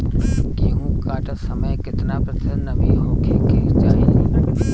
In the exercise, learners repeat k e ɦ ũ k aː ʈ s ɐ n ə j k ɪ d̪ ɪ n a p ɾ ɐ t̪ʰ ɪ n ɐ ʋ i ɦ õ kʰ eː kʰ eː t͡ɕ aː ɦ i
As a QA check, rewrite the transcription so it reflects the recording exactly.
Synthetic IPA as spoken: k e ɦ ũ k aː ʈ s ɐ m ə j k ɪ t̪ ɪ n a p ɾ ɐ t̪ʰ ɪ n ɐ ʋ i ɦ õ kʰ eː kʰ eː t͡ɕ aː ɦ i